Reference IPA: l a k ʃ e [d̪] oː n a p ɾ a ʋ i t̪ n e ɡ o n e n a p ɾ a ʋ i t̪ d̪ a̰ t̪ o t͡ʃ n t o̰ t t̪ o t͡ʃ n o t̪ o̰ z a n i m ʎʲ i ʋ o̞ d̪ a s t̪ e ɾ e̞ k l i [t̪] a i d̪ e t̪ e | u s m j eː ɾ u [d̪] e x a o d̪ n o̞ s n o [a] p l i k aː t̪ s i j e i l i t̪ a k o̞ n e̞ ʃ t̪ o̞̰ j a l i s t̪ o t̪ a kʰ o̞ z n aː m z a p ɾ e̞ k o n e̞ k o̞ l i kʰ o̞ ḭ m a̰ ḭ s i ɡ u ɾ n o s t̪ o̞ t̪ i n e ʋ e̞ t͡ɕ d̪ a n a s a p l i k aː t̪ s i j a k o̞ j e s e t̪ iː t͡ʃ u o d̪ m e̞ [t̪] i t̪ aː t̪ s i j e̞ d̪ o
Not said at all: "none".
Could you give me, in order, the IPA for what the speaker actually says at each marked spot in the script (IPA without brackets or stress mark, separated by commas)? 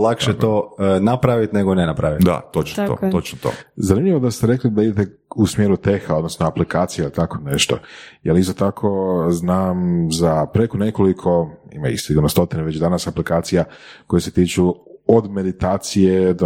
t̪, d̪, t̪, a, d̪